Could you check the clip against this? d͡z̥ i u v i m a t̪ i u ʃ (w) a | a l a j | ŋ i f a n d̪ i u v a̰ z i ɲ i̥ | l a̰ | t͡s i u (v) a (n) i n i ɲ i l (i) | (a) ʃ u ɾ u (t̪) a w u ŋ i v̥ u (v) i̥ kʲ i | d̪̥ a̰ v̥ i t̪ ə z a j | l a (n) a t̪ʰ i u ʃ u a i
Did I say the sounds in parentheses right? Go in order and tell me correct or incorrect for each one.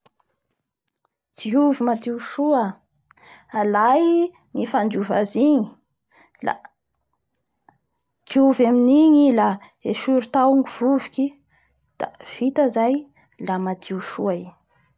incorrect: u, correct, incorrect: m, incorrect: a, incorrect: e, correct, correct, incorrect: m

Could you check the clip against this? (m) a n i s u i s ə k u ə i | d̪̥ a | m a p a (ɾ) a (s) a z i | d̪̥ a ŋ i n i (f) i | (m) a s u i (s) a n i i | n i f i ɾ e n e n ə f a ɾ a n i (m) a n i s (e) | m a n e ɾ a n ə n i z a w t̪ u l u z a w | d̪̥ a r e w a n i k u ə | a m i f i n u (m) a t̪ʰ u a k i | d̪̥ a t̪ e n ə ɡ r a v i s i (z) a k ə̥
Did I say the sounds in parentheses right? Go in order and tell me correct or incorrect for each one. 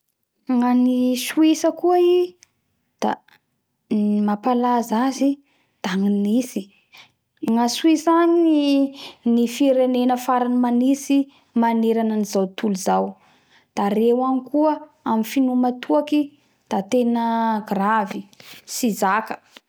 incorrect: ŋ, incorrect: l, incorrect: z, incorrect: s, incorrect: ŋ, correct, correct, incorrect: i, correct, correct

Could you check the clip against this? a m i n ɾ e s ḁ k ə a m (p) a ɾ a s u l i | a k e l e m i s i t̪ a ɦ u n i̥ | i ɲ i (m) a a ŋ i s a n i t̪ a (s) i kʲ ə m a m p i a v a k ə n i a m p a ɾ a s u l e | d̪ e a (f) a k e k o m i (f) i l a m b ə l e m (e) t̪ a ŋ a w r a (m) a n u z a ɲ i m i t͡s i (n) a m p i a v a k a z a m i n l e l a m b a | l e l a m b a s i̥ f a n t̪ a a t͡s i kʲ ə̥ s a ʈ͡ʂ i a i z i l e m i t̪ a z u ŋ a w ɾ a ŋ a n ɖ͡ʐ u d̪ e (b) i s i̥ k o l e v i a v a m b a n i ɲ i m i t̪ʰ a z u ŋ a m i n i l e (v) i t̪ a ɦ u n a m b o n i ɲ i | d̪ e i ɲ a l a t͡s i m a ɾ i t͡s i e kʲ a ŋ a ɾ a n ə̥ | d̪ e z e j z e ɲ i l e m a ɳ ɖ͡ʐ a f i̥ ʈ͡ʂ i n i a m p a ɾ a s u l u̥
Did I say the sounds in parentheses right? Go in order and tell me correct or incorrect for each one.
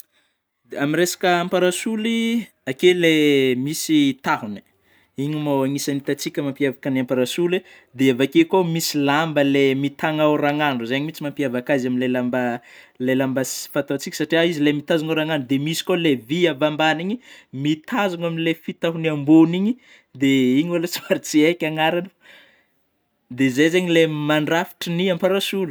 correct, correct, incorrect: t͡s, incorrect: v, incorrect: s, incorrect: i, incorrect: ŋ, incorrect: m, incorrect: m, incorrect: f

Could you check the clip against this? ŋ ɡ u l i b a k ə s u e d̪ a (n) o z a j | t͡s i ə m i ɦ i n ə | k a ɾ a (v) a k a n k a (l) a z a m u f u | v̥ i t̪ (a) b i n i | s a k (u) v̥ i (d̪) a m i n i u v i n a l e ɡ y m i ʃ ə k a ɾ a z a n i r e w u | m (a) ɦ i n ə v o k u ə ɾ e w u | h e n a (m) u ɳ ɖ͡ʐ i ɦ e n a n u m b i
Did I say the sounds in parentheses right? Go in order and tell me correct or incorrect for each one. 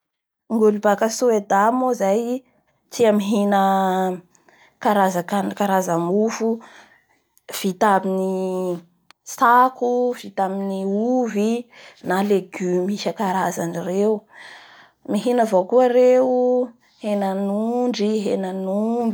incorrect: m, incorrect: z, incorrect: ɾ, correct, correct, incorrect: t̪, incorrect: i, incorrect: n

